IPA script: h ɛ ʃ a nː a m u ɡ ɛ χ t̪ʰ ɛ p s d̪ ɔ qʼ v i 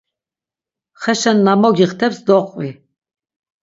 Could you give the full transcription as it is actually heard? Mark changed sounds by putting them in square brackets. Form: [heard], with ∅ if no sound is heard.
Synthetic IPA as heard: [χ] ɛ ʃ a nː a m [ɔ] ɡ [i] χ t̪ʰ ɛ p s d̪ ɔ qʼ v i